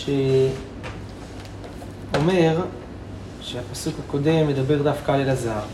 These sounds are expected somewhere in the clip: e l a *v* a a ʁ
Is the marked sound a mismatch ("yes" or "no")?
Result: yes